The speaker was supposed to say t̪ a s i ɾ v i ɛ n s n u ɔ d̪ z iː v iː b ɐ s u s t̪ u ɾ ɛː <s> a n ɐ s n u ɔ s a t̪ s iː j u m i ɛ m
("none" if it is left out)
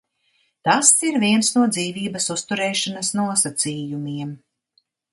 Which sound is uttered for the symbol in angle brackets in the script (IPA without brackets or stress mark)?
ʃ